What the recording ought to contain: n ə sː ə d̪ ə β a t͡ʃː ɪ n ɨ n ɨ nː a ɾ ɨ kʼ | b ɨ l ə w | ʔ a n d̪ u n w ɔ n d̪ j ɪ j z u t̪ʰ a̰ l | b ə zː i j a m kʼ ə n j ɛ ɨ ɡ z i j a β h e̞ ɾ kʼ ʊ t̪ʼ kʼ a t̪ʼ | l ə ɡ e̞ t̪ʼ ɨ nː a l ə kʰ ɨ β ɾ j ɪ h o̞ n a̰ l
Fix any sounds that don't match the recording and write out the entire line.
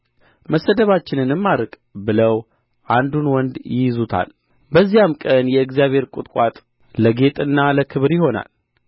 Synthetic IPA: m ə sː ə d̪ ə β a t͡ʃː ɪ n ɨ n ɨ mː a ɾ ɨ kʼ | b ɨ l ə w | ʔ a n d̪ u n w ɔ n d̪ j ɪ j z u t̪ʰ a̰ l | b ə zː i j a m kʼ ə n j ɛ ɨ ɡ z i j a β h e̞ ɾ kʼ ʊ t̪ʼ kʼ a t̪ʼ | l ə ɡ e̞ t̪ʼ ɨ nː a l ə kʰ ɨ β ɾ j ɪ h o̞ n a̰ l